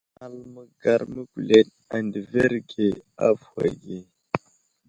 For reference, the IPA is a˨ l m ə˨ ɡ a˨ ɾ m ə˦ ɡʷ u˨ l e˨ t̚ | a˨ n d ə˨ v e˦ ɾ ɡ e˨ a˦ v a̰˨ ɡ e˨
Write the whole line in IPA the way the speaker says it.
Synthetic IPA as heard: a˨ l m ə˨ ɡ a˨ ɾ m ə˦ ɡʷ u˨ l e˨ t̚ | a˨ n d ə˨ v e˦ ɾ ɡ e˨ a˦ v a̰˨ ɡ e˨